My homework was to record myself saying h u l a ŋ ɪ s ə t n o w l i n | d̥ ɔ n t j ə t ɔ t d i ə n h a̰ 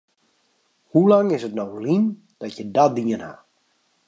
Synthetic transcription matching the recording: h u l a ŋ ɪ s ə t n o w l i n | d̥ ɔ t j ə d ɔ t d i ə n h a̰